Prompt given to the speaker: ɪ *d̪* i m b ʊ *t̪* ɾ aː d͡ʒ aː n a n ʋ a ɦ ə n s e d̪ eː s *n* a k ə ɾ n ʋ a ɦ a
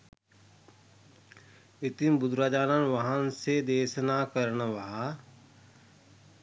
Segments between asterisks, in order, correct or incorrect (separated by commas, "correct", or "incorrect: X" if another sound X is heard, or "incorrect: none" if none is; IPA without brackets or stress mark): incorrect: t̪, incorrect: d̪, correct